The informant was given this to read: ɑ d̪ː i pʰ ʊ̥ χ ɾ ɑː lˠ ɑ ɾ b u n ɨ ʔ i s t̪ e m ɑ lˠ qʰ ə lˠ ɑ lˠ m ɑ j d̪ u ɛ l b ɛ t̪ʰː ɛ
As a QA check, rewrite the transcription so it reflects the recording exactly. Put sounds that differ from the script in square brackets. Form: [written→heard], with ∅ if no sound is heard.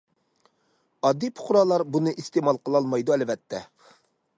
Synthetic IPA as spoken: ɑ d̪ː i pʰ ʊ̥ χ ɾ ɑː lˠ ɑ ɾ b u n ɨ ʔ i s t̪ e m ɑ lˠ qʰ ə lˠ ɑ lˠ m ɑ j d̪ u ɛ l [b→v] ɛ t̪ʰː ɛ